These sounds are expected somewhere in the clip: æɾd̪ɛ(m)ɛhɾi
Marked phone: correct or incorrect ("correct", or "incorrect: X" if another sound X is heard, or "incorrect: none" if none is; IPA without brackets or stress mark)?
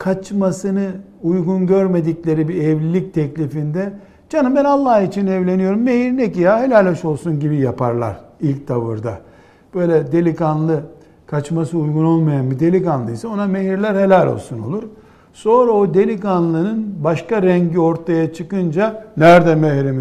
correct